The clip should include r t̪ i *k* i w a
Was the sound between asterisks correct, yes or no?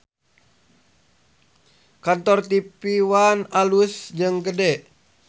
no